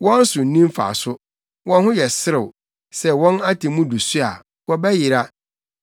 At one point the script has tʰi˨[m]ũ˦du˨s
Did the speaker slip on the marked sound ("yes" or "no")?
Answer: no